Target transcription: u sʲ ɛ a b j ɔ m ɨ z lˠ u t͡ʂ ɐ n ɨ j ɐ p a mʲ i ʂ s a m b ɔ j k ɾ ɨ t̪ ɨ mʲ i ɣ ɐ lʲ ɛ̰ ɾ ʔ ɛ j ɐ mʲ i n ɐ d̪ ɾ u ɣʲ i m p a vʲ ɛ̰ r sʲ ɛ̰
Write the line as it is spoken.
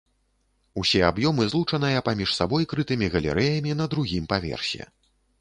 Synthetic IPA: u sʲ ɛ a b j ɔ m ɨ z lˠ u t͡ʂ ɐ n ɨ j ɐ p a mʲ i ʂ s a b ɔ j k ɾ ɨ t̪ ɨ mʲ i ɣ ɐ lʲ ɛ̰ ɾ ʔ ɛ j ɐ mʲ i n ɐ d̪ ɾ u ɣʲ i m p a vʲ ɛ̰ r sʲ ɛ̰

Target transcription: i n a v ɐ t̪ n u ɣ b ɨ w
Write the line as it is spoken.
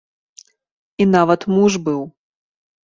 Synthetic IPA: i n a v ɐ t̪ m u ʐ b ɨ w

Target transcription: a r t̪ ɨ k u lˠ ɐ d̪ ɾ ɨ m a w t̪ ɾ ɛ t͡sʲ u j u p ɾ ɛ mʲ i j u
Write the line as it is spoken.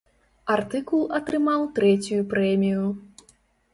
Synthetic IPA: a r t̪ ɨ k u lˠ ɐ t̪ ɾ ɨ m a w t̪ ɾ ɛ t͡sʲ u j u p ɾ ɛ mʲ i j u

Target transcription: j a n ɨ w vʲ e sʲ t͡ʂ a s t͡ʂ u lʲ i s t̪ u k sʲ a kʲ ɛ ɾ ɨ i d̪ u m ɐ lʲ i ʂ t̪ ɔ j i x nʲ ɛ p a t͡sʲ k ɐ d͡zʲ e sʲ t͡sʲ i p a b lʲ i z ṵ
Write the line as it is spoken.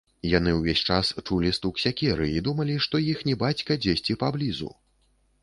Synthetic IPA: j a n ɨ w vʲ e sʲ t͡ʂ a s t͡ʂ u lʲ i s t̪ u k sʲ a kʲ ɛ ɾ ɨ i d̪ u m ɐ lʲ i ʂ t̪ ɔ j i x nʲ ɛ b a t͡sʲ k ɐ d͡zʲ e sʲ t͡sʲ i p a b lʲ i z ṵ

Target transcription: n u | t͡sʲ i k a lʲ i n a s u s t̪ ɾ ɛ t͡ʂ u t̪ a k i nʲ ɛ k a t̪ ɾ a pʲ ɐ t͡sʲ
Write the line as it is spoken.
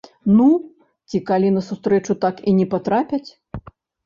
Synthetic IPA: n u | t͡sʲ i k a lʲ i n ɐ s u s t̪ ɾ ɛ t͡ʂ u t̪ a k i nʲ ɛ p a t̪ ɾ a pʲ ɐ t͡sʲ

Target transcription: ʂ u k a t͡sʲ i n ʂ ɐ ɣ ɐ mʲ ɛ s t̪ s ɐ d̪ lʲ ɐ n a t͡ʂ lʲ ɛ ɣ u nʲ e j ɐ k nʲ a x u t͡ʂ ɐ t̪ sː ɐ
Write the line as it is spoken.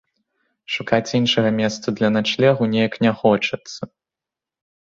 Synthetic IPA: ʂ u k a t͡sʲ i n ʂ ɐ ɣ ɐ mʲ ɛ s t̪ s ɐ d̪ lʲ ɐ n a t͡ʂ lʲ ɛ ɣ u nʲ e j ɐ k nʲ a x ɔ t͡ʂ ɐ t̪ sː ɐ

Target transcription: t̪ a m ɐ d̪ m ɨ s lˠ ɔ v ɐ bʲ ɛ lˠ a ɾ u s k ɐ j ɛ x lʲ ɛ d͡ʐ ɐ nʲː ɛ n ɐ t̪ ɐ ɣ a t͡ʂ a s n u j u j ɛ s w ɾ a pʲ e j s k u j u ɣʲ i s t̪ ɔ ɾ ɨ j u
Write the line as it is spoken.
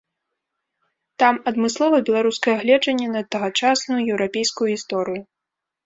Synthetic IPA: t̪ a m ɐ d̪ m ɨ s lˠ ɔ v ɐ bʲ ɛ lˠ a ɾ u s k ɐ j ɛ ɣ lʲ ɛ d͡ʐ ɐ nʲː ɛ n ɐ t̪ ɐ ɣ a t͡ʂ a s n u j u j ɛ w ɾ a pʲ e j s k u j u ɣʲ i s t̪ ɔ ɾ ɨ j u

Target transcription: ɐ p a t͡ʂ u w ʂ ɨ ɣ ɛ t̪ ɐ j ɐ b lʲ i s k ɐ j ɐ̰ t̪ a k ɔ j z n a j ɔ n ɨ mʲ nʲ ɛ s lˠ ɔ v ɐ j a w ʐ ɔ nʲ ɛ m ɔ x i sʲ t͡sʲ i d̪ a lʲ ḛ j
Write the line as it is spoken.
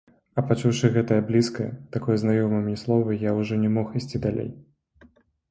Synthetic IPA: ɐ p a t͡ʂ u w ʂ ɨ ɣ ɛ t̪ ɐ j ɐ b lʲ i s k ɐ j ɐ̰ t̪ a k ɔ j z n a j ɔ m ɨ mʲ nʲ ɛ s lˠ ɔ v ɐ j a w ʐ ɔ nʲ ɛ m ɔ x i sʲ t͡sʲ i d̪ a lʲ ḛ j

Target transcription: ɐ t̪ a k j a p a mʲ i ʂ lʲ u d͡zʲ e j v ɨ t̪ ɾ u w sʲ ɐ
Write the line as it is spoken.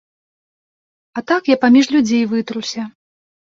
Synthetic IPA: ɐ t̪ a k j a p a mʲ i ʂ lʲ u d͡zʲ e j v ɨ t̪ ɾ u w sʲ ɐ

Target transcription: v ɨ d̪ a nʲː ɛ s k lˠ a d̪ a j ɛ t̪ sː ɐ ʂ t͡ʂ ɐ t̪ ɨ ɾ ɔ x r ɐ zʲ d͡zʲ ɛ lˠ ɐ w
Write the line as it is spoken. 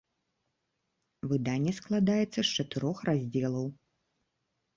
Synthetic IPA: v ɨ d̪ a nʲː ɛ s k lˠ a d̪ a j ɛ t̪ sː ɐ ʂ t͡ʂ ɐ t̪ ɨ ɾ ɔ x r a zʲ d͡zʲ ɛ lˠ ɐ w

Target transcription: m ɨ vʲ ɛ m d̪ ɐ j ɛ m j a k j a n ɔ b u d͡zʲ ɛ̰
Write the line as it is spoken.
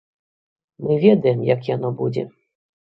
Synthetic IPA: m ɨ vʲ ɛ d̪ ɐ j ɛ m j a k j a n ɔ b u d͡zʲ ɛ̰

